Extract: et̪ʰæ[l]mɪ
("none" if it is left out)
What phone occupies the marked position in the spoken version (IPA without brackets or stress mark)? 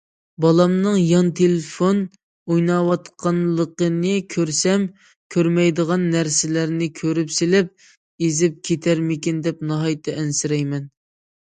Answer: ɾ